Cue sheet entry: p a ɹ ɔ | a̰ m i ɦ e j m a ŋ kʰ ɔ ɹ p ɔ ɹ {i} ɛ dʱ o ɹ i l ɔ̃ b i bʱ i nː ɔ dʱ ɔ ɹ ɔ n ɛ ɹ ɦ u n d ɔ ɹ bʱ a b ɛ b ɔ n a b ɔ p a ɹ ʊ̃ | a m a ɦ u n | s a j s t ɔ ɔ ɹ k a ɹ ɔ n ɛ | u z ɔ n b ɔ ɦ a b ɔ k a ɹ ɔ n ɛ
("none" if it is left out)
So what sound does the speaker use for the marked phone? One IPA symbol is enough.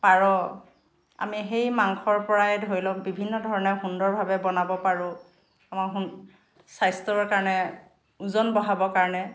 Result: a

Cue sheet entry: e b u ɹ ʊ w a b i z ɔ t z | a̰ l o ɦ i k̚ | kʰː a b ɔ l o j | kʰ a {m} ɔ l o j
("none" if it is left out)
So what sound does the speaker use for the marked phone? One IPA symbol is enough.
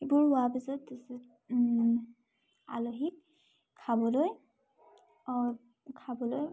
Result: b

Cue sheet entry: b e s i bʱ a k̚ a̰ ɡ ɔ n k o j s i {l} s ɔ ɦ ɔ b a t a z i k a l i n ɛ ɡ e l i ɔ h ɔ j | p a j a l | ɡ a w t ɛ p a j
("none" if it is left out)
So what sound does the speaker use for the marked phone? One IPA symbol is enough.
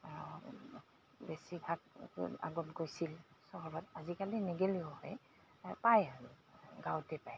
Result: l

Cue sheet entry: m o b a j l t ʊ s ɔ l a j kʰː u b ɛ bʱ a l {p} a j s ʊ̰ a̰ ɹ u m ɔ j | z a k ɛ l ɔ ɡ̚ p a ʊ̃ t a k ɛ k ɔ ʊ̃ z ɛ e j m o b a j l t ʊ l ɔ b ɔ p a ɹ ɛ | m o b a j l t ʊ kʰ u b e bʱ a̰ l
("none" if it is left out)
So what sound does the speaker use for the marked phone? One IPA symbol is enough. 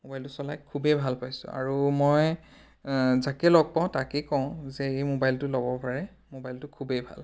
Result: p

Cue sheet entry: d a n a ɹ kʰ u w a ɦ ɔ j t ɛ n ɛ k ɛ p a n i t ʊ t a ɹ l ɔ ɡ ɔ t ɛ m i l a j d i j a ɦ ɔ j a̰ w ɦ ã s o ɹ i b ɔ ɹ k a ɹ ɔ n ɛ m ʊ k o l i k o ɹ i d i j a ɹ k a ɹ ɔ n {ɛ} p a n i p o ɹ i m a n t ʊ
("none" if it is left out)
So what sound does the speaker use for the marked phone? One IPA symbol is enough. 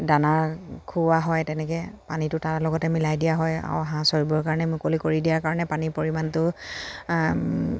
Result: ɛ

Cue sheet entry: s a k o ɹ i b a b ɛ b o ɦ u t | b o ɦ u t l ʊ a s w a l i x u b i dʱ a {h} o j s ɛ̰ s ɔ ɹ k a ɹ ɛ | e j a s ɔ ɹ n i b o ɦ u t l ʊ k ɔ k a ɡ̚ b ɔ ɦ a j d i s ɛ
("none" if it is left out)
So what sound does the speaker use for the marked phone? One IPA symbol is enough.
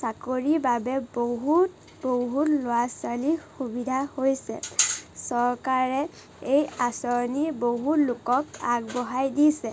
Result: h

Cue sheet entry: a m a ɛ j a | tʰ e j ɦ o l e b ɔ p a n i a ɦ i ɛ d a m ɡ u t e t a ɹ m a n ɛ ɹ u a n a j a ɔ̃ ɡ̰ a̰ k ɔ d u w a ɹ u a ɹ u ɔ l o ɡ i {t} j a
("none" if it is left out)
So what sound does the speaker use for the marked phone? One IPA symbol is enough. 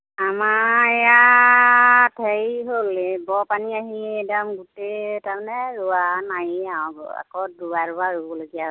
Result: none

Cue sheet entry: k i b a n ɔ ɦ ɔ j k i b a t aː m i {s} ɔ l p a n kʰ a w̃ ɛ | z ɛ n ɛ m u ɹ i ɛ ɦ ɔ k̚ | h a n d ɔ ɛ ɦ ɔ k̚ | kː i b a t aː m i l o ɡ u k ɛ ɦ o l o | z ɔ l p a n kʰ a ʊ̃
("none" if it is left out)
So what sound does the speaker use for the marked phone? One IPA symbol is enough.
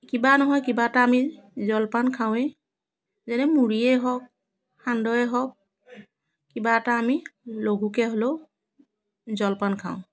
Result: z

